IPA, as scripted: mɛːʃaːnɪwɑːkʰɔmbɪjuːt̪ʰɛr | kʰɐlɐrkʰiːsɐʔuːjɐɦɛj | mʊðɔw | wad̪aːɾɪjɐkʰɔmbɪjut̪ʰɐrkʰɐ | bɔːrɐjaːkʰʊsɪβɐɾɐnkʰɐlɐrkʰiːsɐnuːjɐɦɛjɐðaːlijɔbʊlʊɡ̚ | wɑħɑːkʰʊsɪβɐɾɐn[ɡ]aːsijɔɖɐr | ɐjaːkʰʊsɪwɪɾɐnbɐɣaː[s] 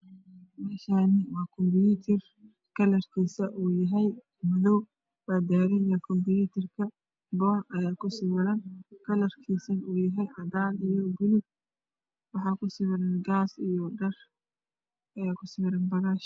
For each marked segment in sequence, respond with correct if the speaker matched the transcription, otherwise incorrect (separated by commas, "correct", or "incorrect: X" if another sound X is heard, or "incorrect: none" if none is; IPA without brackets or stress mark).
correct, incorrect: ʃ